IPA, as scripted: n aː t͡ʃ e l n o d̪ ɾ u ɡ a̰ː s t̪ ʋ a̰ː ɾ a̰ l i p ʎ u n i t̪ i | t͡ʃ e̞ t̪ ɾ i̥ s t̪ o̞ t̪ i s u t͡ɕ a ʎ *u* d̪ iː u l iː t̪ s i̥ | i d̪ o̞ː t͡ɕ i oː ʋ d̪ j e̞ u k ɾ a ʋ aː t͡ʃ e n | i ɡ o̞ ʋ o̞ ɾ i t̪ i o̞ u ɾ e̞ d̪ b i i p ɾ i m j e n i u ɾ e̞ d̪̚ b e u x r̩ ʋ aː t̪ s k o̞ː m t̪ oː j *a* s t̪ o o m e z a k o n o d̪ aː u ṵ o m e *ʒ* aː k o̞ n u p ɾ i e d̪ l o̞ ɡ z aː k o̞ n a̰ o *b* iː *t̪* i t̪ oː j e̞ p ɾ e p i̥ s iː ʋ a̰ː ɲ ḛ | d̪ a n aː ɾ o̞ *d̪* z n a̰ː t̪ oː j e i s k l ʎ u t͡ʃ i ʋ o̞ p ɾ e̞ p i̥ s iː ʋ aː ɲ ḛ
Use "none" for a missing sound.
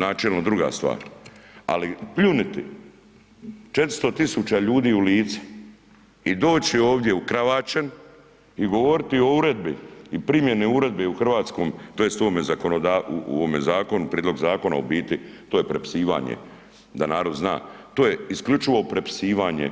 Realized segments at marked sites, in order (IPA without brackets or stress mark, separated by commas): uː, e, z, b, t̪, d̪